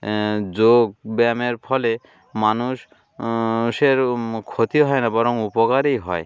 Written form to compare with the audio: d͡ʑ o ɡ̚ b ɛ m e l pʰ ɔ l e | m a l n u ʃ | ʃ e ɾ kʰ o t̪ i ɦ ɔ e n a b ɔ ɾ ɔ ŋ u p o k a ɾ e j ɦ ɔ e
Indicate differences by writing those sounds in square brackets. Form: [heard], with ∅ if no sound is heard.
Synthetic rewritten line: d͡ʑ o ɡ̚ b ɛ m e [ɾ] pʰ ɔ l e | m a [∅] n u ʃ | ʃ e ɾ kʰ o t̪ i ɦ ɔ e n a b ɔ ɾ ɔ ŋ u p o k a ɾ e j ɦ ɔ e